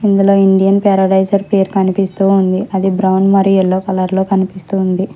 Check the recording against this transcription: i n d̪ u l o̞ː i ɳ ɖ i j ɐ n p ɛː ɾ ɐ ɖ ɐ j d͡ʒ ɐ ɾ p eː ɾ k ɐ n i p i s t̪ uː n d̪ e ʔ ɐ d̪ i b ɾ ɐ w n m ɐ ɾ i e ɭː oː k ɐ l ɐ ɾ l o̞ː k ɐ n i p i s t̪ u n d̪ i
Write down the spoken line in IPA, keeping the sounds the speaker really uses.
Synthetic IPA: i n d̪ u l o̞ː i ɳ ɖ i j ɐ n p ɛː ɾ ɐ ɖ ɐ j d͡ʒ ɐ ɾ p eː ɾ k ɐ n i p i s t̪ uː n d̪ i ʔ ɐ d̪ i b ɾ ɐ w n m ɐ ɾ i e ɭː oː k ɐ l ɐ ɾ l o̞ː k ɐ n i p i s t̪ u n d̪ i

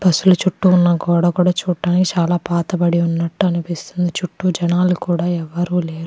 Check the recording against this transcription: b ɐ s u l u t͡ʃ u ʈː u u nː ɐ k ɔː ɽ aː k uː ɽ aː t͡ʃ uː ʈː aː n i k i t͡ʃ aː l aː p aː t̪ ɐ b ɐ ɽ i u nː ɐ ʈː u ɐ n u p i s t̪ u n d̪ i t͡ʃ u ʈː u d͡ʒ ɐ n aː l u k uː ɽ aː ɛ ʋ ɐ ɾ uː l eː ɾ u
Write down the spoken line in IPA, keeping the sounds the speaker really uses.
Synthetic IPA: b ɐ s u l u t͡ʃ u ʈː u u nː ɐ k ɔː ɽ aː k uː ɽ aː t͡ʃ uː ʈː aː n i k i t͡ʃ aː l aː p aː t̪ ɐ b ɐ ɽ i u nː ɐ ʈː u ɐ n u p i s t̪ u n d̪ i t͡ʃ u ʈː u d͡ʒ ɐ n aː l u k uː ɽ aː ɛ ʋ ɐ ɾ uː l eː ɾ u

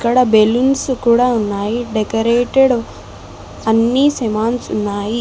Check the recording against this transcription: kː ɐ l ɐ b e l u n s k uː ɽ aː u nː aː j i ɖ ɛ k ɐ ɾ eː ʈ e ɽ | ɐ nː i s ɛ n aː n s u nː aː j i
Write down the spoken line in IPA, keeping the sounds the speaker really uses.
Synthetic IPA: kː ɐ ɽ ɐ b e l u n s k uː ɽ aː u nː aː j i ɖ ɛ k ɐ ɾ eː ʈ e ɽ | ɐ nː i s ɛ m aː n s u nː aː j i

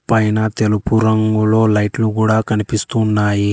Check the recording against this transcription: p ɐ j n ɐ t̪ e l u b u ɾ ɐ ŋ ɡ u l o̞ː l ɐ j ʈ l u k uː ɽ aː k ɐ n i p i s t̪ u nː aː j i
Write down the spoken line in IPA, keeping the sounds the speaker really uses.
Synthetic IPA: p ɐ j n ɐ t̪ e l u p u ɾ ɐ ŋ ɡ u l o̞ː l ɐ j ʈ l u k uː ɽ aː k ɐ n i p i s t̪ u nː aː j i

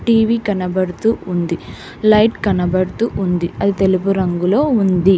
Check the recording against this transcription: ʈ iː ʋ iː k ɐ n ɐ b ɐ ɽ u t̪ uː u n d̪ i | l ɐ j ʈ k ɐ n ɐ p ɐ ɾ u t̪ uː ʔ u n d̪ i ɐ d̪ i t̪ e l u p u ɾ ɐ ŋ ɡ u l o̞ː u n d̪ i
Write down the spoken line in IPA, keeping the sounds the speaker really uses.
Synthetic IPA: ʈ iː ʋ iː k ɐ n ɐ b ɐ ɽ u t̪ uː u n d̪ i | l ɐ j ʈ k ɐ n ɐ b ɐ ɽ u t̪ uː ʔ u n d̪ i ɐ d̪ i t̪ e l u p u ɾ ɐ ŋ ɡ u l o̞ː u n d̪ i

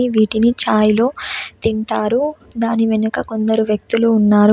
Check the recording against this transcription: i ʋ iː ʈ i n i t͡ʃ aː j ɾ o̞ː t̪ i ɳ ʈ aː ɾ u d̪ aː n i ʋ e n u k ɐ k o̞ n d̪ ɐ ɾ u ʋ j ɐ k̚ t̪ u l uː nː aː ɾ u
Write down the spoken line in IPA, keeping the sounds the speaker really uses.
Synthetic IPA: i ʋ iː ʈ i n i t͡ʃ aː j l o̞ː t̪ i ɳ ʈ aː ɾ u d̪ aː n i ʋ e n u k ɐ k o̞ n d̪ ɐ ɾ u ʋ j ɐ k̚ t̪ u l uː nː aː ɾ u

